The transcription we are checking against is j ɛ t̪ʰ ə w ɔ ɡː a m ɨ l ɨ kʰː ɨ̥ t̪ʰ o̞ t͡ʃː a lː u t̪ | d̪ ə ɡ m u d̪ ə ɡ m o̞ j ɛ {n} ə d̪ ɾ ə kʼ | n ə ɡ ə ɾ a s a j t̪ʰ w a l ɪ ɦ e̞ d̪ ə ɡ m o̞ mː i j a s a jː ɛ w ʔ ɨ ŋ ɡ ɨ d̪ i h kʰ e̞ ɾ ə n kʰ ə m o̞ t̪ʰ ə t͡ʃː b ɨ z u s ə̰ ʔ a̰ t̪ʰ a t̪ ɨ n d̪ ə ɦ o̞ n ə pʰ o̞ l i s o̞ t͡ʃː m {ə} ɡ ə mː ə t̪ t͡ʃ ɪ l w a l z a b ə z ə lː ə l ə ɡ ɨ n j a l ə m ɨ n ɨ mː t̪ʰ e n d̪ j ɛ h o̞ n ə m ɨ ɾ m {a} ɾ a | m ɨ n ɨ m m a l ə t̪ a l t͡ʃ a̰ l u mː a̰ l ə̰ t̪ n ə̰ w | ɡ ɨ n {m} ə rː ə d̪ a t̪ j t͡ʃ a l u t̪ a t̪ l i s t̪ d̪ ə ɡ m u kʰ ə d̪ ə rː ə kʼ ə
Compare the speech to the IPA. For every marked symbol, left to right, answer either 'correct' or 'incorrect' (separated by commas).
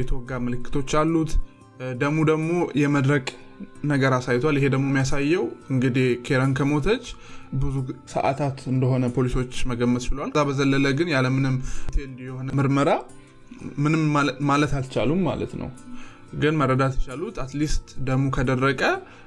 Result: incorrect, correct, incorrect, correct